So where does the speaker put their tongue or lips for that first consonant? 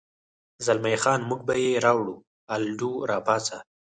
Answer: tongue tip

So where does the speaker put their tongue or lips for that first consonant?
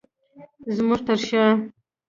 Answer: tongue tip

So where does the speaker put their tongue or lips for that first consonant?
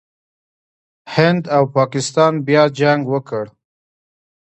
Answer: throat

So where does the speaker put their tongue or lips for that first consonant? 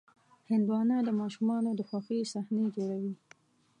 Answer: throat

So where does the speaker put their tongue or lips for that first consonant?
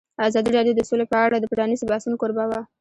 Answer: tongue tip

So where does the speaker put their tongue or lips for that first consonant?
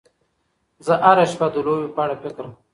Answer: tongue tip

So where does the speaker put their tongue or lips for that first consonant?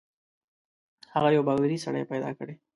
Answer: throat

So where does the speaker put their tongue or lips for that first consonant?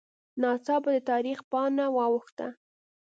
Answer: tongue tip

